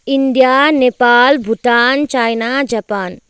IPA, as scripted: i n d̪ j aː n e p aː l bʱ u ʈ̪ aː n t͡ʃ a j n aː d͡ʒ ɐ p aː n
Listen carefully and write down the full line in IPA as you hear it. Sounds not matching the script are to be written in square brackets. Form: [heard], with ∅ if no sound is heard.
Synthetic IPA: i n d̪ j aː n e p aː l bʱ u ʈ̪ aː n t͡ʃ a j n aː d͡ʒ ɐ p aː n